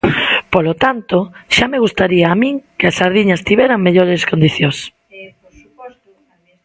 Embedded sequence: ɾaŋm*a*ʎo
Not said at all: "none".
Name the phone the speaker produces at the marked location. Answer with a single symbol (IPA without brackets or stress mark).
e